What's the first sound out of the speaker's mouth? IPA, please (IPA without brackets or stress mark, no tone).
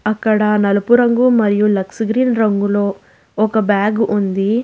ɐ